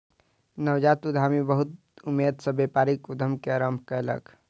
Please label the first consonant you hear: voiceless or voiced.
voiced